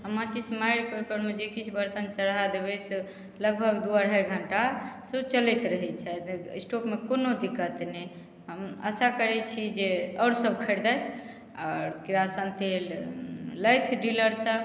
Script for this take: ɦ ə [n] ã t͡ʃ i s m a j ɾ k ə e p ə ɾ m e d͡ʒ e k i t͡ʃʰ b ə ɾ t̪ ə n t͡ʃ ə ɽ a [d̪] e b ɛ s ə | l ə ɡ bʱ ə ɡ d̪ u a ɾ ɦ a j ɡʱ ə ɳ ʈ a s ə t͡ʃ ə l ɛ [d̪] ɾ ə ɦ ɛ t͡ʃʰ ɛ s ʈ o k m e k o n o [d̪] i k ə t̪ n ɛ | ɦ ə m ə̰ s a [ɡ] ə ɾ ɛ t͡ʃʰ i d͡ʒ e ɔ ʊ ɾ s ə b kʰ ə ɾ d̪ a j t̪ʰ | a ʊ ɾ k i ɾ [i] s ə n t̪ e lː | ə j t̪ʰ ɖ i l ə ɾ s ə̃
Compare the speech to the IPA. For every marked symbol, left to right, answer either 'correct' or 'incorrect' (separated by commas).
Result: incorrect, correct, incorrect, correct, incorrect, incorrect